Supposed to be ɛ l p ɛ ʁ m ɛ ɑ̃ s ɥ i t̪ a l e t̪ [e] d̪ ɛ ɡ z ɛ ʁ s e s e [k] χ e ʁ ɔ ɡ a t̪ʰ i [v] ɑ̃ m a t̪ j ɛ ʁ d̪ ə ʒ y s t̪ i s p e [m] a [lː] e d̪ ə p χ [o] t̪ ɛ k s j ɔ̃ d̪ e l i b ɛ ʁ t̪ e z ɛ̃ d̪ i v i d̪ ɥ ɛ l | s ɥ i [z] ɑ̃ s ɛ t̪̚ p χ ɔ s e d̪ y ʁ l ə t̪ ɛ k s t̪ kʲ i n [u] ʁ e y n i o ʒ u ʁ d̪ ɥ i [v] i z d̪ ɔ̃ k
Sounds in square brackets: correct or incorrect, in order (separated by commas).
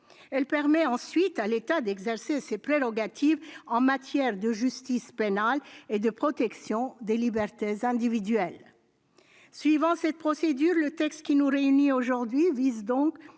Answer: incorrect, incorrect, correct, incorrect, incorrect, incorrect, incorrect, correct, correct